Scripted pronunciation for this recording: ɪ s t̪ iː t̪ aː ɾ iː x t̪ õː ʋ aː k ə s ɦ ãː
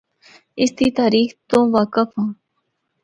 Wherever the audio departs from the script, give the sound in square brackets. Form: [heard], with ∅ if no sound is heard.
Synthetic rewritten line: ɪ s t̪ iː t̪ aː ɾ iː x t̪ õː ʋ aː k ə [f] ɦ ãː